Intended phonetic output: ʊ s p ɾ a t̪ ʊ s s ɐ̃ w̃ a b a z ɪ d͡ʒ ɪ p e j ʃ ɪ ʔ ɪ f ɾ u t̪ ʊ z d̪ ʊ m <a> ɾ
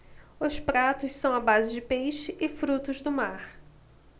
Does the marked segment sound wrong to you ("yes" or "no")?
no